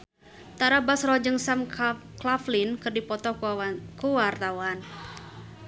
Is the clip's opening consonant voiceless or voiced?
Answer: voiceless